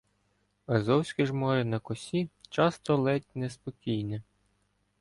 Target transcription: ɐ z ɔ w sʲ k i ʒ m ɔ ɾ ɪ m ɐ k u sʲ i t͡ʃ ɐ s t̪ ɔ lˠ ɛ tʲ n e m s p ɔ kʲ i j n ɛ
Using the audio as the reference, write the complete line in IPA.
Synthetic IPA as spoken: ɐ z ɔ w sʲ k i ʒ m ɔ ɾ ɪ n ɐ k ɔ sʲ i t͡ʃ ɑ s t̪ ɔ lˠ ɛ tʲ n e s p ɔ kʲ i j n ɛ